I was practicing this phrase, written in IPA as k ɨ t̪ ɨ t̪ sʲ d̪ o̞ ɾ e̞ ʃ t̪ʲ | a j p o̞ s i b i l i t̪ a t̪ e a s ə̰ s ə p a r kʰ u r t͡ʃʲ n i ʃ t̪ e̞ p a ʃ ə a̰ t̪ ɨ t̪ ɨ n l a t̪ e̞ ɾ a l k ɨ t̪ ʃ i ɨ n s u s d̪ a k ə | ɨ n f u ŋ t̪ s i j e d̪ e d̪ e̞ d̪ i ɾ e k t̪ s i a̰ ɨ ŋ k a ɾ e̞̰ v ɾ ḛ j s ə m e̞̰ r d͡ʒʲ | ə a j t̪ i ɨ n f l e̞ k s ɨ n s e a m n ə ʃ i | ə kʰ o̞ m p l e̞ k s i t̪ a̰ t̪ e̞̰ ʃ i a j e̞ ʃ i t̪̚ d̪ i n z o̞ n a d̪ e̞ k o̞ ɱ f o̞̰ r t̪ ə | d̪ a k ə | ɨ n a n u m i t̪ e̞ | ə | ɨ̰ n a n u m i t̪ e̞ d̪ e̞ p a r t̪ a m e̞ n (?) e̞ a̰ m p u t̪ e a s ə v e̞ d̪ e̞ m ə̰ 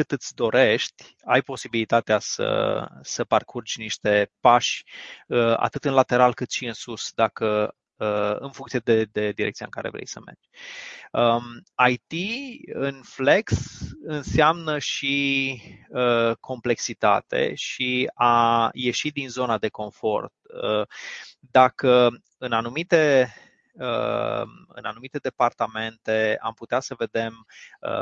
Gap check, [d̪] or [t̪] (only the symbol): t̪